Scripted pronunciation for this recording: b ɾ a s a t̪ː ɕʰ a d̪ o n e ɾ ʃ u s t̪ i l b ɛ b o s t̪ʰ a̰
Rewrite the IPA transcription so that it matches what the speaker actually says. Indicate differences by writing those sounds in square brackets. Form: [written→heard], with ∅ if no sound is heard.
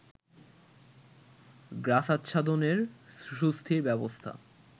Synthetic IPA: [b→ɡ] ɾ a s a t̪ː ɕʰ a d̪ o n e ɾ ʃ u s [t̪→t̪ʰ] i [l→ɾ] b ɛ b o s t̪ʰ a̰